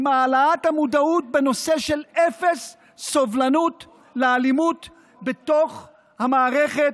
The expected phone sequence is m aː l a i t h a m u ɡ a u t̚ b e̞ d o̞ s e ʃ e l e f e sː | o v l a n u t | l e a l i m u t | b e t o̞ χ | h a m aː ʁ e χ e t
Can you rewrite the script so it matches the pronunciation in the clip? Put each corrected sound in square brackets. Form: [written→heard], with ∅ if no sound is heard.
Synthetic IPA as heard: m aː l a [i→a] t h a m u [ɡ→d] a u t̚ b e̞ [d→n] o̞ s e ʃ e l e f e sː | o v l a n u t | l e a l i m u t | b e t o̞ χ | h a m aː ʁ e χ e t